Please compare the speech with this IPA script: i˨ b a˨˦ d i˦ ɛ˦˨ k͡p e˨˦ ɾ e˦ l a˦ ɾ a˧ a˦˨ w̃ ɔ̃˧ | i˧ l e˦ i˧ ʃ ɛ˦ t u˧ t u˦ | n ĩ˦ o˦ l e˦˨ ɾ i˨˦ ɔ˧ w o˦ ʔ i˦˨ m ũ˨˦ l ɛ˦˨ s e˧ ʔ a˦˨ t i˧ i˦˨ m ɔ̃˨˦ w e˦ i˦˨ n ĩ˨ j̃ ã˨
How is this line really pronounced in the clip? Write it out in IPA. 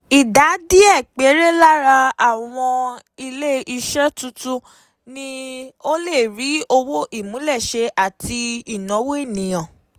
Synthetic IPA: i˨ d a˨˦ d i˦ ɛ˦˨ k͡p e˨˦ ɾ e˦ l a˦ ɾ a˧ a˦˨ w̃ ɔ̃˧ | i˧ l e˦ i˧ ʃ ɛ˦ t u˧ t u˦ | n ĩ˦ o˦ l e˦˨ ɾ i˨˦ o˧ w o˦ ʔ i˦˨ m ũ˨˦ l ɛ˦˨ ʃ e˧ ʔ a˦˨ t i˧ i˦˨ n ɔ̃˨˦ w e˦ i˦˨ n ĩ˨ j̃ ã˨